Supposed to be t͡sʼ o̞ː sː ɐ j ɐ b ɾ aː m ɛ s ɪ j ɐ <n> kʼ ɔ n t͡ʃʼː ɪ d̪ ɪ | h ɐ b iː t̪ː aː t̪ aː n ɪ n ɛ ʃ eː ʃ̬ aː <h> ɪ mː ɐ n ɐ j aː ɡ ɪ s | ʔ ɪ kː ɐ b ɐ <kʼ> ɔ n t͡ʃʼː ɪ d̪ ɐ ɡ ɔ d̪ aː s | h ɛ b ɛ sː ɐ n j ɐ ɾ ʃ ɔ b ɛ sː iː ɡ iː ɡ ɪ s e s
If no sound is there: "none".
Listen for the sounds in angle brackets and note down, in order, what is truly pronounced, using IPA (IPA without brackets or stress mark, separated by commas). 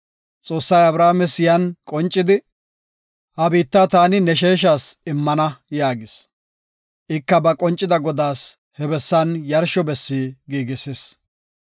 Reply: n, s, kʼ